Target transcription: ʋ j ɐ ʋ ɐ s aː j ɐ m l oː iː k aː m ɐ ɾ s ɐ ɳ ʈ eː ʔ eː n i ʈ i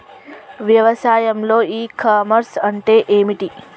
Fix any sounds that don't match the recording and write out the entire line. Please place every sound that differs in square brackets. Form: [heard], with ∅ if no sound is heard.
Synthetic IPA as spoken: ʋ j ɐ ʋ ɐ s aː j ɐ m l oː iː k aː m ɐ ɾ s ɐ ɳ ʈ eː ʔ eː [m] i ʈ i